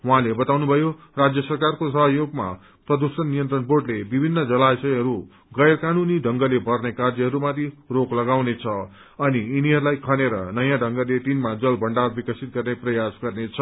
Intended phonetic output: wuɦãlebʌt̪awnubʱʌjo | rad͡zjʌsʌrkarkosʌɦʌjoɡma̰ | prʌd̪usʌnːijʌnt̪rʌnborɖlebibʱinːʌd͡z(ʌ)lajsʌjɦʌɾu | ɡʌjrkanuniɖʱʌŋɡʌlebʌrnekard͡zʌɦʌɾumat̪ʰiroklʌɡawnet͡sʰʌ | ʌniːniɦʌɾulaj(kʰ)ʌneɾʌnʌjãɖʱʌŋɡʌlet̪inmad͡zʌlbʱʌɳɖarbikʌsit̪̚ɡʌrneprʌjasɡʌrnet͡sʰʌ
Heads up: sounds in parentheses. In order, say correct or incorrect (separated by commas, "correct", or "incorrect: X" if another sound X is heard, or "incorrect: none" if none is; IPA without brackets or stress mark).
correct, correct